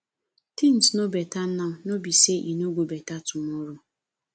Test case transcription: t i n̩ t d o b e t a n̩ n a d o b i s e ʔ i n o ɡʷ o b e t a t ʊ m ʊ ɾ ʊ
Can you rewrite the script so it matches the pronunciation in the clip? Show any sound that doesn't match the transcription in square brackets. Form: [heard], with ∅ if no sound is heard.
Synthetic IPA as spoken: t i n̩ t [n] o b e t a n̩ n a [n] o b i s e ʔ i n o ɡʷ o b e t a t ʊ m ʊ ɾ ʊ